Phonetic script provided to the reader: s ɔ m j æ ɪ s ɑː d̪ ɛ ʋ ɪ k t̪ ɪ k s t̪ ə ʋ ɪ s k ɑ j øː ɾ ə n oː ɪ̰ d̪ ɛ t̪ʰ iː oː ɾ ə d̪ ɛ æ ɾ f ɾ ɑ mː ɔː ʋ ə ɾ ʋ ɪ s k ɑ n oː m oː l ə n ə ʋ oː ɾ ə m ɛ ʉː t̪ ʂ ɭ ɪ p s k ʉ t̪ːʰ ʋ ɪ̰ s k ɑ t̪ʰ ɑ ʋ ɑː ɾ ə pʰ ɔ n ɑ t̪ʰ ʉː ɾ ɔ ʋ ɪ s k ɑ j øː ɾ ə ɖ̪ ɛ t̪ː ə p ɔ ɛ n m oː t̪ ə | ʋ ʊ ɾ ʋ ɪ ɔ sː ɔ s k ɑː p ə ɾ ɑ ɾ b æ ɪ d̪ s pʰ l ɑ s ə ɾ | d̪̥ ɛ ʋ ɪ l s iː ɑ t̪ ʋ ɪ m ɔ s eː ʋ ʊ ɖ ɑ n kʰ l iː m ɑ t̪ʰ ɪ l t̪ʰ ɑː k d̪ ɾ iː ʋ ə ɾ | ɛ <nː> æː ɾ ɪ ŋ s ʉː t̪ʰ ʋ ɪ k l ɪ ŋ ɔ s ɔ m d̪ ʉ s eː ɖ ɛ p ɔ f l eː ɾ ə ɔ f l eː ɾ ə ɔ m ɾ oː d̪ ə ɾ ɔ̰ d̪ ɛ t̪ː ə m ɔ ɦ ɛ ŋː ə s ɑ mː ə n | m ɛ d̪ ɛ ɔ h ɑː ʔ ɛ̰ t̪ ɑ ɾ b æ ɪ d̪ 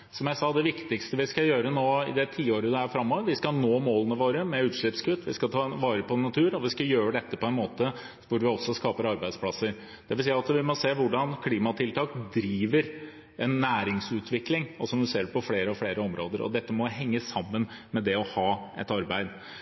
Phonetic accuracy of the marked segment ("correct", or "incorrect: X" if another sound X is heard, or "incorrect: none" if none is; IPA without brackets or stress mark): correct